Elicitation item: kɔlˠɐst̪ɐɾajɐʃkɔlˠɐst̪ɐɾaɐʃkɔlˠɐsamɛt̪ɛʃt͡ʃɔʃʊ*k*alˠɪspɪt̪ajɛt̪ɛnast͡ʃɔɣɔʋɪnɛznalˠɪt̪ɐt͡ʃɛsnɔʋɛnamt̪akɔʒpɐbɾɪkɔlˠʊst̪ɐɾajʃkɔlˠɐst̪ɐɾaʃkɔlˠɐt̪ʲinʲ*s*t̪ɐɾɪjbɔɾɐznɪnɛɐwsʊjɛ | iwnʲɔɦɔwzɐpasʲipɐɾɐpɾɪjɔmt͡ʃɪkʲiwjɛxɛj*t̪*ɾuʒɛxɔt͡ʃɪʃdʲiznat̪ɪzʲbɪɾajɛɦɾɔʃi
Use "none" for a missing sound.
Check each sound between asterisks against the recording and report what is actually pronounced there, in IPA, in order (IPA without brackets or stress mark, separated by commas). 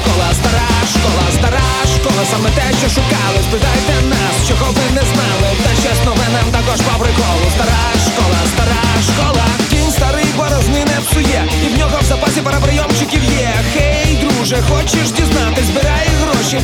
k, s, d̪